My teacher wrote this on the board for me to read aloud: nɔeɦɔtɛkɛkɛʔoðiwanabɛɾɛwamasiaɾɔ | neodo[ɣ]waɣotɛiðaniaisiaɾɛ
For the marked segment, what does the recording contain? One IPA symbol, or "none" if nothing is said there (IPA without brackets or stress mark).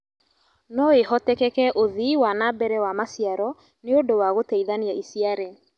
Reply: none